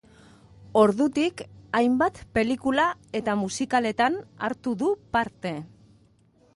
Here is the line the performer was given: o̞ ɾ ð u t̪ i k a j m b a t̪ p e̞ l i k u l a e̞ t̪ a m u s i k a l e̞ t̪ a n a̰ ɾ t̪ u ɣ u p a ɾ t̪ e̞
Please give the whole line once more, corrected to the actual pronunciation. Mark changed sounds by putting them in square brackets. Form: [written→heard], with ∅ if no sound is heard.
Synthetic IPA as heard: o̞ ɾ ð u t̪ i k a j m b a t̪ p e̞ l i k u l a e̞ t̪ a m u s i k a l e̞ t̪ a n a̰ ɾ t̪ u [ɣ→ð] u p a ɾ t̪ e̞